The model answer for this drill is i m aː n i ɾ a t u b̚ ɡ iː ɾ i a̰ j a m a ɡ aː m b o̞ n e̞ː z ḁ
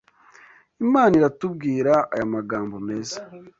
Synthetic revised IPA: i m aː n i ɾ a t u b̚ ɡ iː ɾ a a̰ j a m a ɡ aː m b o̞ m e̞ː z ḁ